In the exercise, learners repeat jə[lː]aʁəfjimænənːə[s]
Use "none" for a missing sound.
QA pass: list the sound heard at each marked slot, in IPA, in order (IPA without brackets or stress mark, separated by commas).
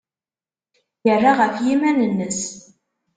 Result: rː, s